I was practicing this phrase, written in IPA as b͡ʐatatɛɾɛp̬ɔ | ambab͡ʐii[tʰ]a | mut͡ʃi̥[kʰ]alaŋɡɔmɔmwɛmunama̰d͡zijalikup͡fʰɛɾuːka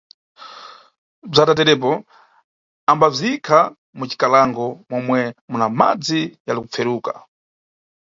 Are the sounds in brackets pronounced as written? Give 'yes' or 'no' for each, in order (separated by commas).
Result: no, no